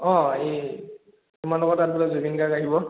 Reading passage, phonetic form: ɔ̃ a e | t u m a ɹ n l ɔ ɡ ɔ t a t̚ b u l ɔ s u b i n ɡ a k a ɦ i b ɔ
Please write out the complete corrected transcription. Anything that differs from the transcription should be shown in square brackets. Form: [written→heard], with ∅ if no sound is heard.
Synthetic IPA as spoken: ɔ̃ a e | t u m a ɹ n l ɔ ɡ ɔ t a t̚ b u l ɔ [s→z] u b i n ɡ a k a ɦ i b ɔ